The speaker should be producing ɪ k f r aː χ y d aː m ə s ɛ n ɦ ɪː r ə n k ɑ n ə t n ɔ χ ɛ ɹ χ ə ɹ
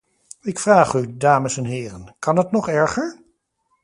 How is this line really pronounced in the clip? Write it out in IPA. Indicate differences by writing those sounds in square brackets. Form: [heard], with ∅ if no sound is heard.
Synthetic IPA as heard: ɪ k f r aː χ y d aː m ə s ɛ n ɦ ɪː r ə n k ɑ n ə t n ɔ χ ɛ ɹ χ ə ɹ

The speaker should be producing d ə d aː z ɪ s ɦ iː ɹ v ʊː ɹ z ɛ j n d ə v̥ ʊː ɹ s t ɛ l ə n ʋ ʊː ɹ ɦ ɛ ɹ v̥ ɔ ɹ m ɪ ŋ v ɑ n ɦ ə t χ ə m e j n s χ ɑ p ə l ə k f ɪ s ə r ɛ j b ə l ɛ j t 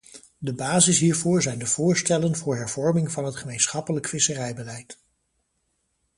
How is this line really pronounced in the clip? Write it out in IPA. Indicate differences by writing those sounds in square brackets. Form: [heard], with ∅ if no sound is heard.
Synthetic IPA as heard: d ə [b] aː z ɪ s ɦ iː ɹ v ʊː ɹ z ɛ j n d ə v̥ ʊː ɹ s t ɛ l ə n [v] ʊː ɹ ɦ ɛ ɹ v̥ ɔ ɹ m ɪ ŋ v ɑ n ɦ ə t χ ə m e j n s χ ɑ p ə l ə k f ɪ s ə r ɛ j b ə l ɛ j t

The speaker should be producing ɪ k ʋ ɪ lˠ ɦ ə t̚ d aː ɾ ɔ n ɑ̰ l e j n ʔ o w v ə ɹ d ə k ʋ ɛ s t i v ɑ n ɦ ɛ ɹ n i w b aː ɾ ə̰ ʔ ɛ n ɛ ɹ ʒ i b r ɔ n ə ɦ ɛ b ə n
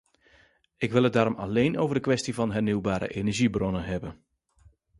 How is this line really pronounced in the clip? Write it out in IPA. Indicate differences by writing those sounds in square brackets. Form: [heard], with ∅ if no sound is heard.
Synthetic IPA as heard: ɪ k ʋ ɪ lˠ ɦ ə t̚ d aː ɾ ɔ [m] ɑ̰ l e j n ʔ o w v ə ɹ d ə k ʋ ɛ s t i v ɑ n ɦ ɛ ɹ n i w b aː ɾ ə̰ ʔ [e] n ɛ ɹ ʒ i b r ɔ n ə ɦ ɛ b ə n

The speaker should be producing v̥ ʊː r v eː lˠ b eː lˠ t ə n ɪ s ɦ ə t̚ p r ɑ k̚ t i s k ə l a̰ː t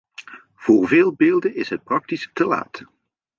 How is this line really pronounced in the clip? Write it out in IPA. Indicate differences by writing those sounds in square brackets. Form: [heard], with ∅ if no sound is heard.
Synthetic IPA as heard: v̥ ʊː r v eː lˠ b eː lˠ [d] ə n ɪ s ɦ ə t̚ p r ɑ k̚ t i s [t] ə l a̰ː t

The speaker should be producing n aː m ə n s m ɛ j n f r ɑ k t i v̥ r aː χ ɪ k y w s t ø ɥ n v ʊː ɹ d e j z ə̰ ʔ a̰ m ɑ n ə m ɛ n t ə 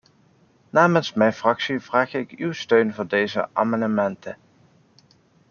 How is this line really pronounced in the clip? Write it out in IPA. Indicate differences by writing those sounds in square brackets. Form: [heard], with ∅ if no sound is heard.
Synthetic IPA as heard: n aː m ə n s m ɛ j n f r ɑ k [s] i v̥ r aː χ ɪ k y w s t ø ɥ n v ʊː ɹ d e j z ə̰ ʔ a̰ m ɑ n ə m ɛ n t ə

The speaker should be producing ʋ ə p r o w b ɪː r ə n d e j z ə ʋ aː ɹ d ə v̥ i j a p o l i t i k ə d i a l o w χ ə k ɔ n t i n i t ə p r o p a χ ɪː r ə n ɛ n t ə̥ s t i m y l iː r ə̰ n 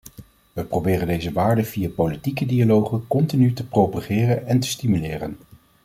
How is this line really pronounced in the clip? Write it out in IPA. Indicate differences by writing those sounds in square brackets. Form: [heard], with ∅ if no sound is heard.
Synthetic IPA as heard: ʋ ə p r o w b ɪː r ə n d e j z ə ʋ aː ɹ d ə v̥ i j a p o l i t i k ə d i a l o w χ ə k ɔ n t i n [y] t ə p r o p a χ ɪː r ə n ɛ n t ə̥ s t i m y l [ɪː] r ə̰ n

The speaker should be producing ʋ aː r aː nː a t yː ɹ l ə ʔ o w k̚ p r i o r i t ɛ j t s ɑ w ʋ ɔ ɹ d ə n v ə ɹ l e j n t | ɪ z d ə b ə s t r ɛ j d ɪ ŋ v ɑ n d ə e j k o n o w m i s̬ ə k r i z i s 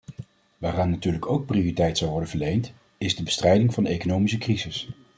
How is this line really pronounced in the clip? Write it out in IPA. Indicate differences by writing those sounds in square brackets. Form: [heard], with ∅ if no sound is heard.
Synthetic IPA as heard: ʋ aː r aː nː a t yː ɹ l ə [k] o w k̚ p r i o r i t ɛ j t s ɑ w ʋ ɔ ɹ d ə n v ə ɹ l e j n t | ɪ z d ə b ə s t r ɛ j d ɪ ŋ v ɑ n d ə e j k o n o w m i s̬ ə k r i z [ɪ] s

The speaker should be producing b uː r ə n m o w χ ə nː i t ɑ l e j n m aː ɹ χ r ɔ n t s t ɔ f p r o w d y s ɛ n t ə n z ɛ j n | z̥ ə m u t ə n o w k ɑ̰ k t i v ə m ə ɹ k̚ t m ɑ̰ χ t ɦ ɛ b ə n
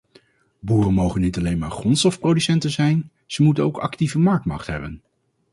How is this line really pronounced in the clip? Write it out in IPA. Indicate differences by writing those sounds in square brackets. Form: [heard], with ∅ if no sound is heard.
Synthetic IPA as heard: b uː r ə n m o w χ ə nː i t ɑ l e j n m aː ɹ χ r ɔ n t s t ɔ f p r o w d y s ɛ n t ə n z ɛ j n | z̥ ə m u t ə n o w k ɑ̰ k t i v ə m [ɑ] ɹ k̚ t m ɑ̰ χ t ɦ ɛ b ə n

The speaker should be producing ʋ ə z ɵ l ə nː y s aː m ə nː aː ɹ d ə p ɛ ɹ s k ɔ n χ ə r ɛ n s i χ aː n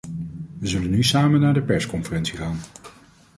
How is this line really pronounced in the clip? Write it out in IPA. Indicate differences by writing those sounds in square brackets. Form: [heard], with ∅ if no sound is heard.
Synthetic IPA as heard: ʋ ə z ɵ l ə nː y s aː m ə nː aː ɹ d ə p ɛ ɹ s k ɔ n [f] ə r ɛ n s i χ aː n

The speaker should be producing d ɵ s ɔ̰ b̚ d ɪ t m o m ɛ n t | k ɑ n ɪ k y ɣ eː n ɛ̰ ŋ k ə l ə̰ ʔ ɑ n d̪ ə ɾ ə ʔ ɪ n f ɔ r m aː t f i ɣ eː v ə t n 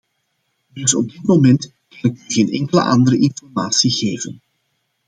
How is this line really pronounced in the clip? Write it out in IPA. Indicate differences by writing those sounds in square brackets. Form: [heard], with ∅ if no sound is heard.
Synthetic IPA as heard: d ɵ s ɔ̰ b̚ d ɪ t m o m ɛ n t | k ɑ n ɪ k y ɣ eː n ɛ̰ ŋ k ə l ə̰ ʔ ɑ n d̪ ə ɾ ə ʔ ɪ n f ɔ r m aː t [s] i ɣ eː v ə [∅] n

